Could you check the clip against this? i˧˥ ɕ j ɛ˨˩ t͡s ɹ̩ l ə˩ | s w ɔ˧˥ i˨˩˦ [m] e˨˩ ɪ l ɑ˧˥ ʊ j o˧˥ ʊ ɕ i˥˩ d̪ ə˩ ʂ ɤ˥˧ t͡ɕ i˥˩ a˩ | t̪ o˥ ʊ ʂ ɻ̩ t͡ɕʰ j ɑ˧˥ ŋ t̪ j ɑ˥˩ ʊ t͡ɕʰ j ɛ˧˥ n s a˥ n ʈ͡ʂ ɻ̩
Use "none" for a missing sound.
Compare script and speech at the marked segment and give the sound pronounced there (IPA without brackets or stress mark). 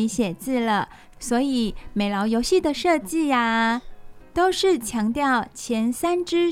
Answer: m